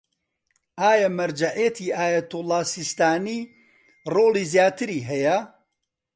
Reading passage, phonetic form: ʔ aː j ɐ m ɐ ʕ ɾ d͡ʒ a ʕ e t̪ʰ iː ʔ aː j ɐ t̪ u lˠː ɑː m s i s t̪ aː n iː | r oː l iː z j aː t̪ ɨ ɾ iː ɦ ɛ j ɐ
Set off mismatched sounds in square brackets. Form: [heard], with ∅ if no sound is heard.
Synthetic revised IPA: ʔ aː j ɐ m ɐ [∅] ɾ d͡ʒ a ʕ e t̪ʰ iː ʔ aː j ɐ t̪ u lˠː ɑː [∅] s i s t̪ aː n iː | r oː l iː z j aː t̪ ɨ ɾ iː ɦ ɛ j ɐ